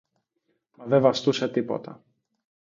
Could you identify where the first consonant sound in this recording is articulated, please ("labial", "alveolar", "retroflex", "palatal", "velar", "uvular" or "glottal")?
labial